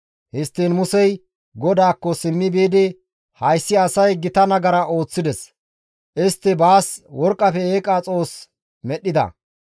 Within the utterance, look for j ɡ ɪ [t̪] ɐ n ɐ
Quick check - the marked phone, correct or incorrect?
correct